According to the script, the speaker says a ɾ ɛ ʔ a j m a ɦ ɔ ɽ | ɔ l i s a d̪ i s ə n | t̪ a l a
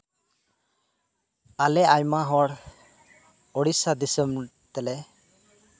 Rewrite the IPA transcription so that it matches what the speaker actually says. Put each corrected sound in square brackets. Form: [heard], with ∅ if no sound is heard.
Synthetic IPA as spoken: a [l] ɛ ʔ a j m a ɦ ɔ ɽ | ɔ [ɽ] i s a d̪ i s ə [m] | t̪ [ɛ] l [ɛ]